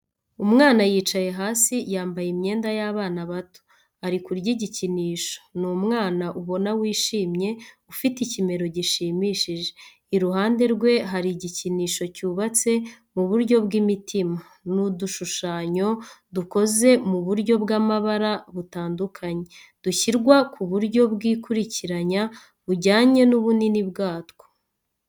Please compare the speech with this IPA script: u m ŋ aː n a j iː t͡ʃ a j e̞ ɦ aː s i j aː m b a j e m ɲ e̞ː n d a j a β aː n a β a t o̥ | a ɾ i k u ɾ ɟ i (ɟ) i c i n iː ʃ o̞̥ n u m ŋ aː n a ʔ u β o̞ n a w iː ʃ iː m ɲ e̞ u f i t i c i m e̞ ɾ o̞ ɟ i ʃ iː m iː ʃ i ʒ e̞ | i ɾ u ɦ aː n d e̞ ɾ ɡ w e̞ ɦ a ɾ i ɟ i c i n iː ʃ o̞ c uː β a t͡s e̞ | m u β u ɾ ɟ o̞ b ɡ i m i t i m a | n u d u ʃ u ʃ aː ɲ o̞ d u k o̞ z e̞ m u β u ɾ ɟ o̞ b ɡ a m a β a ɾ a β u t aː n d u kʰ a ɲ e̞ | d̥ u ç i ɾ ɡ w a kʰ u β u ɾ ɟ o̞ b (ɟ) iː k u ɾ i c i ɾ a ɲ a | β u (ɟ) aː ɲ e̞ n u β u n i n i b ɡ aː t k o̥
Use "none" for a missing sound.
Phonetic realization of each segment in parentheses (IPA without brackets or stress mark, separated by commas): ɟ, ɡ, ɟ